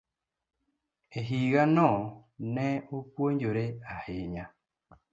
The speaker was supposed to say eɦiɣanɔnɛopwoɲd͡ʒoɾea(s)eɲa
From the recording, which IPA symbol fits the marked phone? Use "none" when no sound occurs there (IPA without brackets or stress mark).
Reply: h